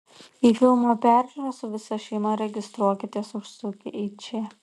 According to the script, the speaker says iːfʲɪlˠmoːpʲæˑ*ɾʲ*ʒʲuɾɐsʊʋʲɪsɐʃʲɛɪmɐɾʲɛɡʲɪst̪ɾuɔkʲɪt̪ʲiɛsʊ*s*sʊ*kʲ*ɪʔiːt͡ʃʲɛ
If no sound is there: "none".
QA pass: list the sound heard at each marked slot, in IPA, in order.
ɾʲ, ʃ, kʲ

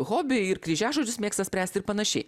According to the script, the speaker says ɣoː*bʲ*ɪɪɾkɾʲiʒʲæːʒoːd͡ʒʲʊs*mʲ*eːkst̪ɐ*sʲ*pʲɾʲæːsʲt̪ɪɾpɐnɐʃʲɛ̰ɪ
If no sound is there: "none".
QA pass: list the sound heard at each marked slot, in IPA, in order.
bʲ, mʲ, sʲ

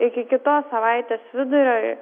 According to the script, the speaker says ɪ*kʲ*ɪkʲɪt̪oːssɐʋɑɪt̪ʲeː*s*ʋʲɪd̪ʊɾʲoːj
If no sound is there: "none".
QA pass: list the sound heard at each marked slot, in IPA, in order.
kʲ, s

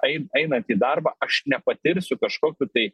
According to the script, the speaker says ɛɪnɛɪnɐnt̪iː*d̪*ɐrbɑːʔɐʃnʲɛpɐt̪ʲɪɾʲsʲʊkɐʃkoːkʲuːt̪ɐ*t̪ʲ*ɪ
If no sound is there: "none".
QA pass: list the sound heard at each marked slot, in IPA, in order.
d̪, none

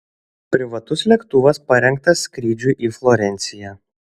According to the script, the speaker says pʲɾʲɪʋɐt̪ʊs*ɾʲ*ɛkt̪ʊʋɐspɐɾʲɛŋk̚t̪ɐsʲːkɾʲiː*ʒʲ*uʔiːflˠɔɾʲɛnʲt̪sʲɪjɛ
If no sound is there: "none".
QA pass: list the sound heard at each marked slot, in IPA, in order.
lʲ, d͡ʒʲ

